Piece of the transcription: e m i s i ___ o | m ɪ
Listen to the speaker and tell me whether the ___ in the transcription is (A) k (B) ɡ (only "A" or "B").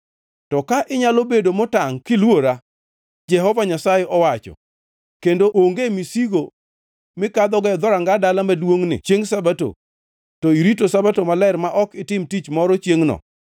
B